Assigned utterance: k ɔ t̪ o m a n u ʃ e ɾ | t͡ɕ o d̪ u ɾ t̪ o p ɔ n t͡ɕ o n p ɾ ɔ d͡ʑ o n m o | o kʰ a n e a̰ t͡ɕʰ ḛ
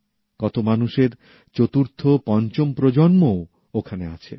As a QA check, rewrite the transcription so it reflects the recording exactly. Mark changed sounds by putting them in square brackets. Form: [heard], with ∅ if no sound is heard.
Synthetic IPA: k ɔ t̪ o m a n u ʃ e ɾ | t͡ɕ o [t̪] u ɾ [t̪ʰ] o p ɔ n t͡ɕ o [m] p ɾ [o] d͡ʑ o n m o | o kʰ a n e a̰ t͡ɕʰ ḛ